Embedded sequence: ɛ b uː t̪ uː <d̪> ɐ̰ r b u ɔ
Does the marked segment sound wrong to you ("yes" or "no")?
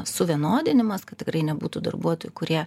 no